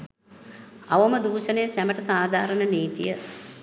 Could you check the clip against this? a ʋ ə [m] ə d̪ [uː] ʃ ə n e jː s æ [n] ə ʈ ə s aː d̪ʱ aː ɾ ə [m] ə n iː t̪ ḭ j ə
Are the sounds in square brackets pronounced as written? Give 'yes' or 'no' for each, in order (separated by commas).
yes, yes, no, no